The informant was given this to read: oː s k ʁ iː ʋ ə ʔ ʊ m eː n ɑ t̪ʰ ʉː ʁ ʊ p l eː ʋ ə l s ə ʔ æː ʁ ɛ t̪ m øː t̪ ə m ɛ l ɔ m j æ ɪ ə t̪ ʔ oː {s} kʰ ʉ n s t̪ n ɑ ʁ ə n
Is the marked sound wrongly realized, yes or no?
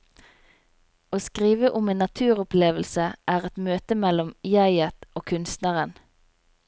yes